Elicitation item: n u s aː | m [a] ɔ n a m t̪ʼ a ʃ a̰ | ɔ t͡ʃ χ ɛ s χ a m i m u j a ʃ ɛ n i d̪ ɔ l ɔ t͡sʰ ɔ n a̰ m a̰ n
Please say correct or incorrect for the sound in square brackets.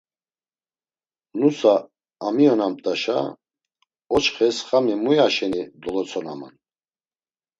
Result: incorrect